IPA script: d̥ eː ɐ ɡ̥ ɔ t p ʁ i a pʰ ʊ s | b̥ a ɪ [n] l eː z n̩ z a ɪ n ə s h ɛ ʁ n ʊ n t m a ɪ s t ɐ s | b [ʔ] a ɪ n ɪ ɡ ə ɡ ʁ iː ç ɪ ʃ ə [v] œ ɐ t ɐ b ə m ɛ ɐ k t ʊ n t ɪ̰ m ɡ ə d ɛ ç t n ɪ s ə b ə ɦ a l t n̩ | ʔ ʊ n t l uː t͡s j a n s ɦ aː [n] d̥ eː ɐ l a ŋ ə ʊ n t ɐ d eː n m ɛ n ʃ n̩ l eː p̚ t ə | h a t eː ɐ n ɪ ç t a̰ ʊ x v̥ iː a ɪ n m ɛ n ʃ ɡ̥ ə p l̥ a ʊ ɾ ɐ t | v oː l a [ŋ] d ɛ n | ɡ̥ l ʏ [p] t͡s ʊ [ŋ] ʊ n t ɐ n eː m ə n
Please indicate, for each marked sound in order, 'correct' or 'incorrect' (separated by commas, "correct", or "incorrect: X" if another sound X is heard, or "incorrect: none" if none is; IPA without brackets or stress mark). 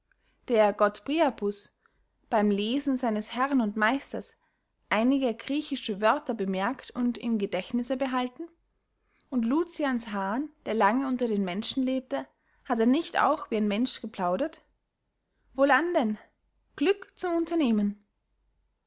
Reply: incorrect: m, correct, correct, correct, incorrect: n, incorrect: k, incorrect: m